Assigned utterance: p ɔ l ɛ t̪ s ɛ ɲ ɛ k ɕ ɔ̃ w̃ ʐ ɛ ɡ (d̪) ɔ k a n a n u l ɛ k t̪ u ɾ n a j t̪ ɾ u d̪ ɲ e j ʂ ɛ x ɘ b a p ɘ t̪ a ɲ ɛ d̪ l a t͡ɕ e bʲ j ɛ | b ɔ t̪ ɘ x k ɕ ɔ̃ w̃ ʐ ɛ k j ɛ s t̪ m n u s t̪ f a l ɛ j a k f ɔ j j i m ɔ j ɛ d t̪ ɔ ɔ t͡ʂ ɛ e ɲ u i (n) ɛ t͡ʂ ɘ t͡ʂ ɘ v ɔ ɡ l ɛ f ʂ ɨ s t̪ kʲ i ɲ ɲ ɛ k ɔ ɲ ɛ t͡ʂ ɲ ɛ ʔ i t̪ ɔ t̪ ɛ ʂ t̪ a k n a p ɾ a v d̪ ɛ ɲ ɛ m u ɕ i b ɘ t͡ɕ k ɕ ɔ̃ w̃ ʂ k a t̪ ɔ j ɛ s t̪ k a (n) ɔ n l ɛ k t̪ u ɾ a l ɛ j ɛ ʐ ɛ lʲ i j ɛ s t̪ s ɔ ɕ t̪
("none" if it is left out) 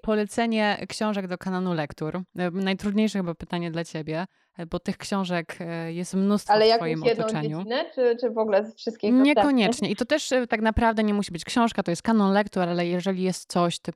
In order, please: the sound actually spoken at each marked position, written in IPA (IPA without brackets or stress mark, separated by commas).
d̪, n, n